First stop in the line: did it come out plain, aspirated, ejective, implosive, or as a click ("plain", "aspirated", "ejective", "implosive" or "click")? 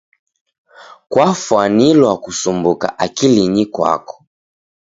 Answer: plain